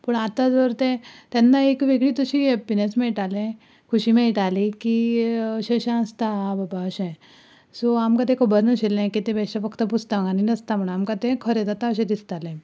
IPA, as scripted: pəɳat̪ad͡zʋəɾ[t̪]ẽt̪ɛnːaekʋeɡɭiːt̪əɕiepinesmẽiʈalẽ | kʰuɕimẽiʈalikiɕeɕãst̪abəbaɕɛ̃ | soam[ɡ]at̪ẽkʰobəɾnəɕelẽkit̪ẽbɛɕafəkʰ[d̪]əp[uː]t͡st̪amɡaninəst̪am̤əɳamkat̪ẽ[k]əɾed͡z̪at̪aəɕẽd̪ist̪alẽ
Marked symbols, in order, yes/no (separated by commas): yes, no, no, no, no